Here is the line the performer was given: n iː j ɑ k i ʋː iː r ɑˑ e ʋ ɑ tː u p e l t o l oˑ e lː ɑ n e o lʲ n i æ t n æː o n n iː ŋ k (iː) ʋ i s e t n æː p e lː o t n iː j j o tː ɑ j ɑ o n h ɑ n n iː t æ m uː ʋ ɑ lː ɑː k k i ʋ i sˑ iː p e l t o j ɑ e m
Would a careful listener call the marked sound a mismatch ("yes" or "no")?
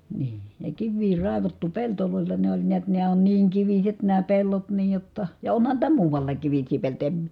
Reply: yes